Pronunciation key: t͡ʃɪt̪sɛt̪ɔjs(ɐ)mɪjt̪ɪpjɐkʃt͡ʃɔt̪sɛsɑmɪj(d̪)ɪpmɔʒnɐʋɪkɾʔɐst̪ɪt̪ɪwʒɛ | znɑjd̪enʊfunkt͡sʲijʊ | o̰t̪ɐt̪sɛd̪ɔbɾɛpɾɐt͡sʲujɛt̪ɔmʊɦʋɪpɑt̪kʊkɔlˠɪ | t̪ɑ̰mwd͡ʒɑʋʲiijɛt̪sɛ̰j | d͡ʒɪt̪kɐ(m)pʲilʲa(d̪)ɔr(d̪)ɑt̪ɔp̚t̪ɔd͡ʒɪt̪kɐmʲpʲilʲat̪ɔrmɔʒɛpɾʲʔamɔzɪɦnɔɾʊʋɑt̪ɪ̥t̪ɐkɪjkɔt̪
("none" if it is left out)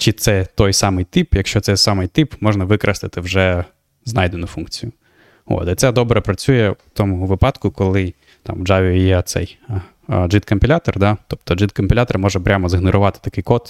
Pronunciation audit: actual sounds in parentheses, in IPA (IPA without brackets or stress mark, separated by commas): ɑ, t̪, m, t̪, d̪